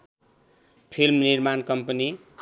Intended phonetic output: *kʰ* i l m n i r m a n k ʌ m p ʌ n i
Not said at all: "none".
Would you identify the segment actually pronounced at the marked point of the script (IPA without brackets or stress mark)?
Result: pʰ